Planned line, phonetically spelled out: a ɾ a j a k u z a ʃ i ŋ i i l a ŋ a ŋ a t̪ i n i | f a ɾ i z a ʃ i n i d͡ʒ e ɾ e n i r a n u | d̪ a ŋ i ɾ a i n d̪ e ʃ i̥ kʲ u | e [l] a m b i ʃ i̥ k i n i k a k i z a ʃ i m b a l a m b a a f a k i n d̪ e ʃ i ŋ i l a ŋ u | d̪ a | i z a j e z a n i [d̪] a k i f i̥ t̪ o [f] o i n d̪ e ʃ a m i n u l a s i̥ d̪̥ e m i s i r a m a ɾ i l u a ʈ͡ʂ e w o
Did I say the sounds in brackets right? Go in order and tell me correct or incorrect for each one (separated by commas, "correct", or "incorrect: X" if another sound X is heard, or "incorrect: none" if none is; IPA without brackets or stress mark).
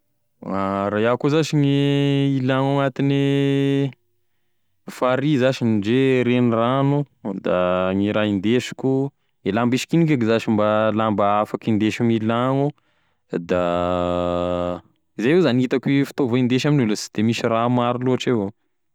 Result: correct, incorrect: t̪, incorrect: v